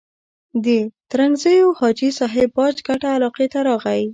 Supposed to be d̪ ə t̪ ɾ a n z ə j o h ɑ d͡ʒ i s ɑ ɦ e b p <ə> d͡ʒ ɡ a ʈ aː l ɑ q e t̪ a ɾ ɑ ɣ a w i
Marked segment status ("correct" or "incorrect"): incorrect